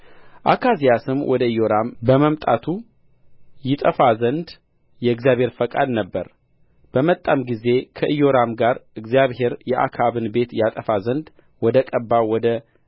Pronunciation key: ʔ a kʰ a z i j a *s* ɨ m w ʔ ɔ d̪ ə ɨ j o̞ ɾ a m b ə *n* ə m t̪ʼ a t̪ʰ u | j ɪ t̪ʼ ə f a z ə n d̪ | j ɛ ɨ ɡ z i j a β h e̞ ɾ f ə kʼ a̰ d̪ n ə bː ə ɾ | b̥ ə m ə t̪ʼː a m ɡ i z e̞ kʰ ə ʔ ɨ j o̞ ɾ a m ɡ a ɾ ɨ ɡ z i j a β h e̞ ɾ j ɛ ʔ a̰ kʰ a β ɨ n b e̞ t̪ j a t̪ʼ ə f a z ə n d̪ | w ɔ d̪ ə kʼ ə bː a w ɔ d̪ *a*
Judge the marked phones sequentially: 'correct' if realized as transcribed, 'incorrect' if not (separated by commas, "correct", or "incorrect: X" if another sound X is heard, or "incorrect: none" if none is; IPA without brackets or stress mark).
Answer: correct, incorrect: m, incorrect: ə